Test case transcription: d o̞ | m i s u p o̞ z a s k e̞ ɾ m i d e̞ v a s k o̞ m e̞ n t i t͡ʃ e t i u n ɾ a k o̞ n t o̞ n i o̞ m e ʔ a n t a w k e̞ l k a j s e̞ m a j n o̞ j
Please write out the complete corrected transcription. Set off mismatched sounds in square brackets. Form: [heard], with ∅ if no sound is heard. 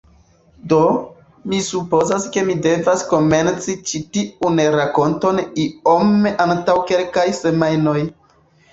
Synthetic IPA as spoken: d o̞ | m i s u p o̞ z a s k e̞ [∅] m i d e̞ v a s k o̞ m e̞ n [t͡s] i t͡ʃ [i] t i u n ɾ a k o̞ n t o̞ n i o̞ m e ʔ a n t a w k e̞ l k a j s e̞ m a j n o̞ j